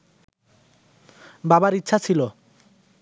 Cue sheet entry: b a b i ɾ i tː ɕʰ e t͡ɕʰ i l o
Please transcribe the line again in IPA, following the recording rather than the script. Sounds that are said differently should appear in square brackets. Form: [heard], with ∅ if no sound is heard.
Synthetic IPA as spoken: b a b [a] ɾ i tː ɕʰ [a] t͡ɕʰ i l o